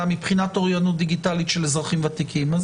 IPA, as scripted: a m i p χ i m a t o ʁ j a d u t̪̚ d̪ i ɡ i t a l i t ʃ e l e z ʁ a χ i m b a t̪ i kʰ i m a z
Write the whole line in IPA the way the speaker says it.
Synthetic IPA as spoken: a m i p χ i n a t o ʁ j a n u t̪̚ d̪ i ɡ i t a l i t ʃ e l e z ʁ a χ i m v a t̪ i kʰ i m a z